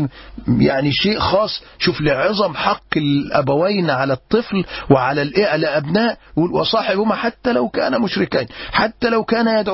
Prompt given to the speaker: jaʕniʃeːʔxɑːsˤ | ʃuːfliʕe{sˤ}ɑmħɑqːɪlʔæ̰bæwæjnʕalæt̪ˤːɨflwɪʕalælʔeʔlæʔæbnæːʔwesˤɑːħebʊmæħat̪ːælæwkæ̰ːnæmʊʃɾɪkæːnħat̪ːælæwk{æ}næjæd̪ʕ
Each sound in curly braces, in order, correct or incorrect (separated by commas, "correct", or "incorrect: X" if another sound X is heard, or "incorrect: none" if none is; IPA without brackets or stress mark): incorrect: zˤ, incorrect: æː